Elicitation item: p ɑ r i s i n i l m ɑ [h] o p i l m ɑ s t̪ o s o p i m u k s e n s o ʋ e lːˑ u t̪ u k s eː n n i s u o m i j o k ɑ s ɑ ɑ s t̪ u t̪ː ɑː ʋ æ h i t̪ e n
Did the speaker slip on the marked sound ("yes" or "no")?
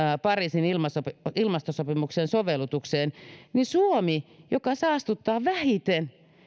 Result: yes